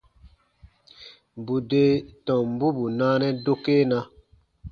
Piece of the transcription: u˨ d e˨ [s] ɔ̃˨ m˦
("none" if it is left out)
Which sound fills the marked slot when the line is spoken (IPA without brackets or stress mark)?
t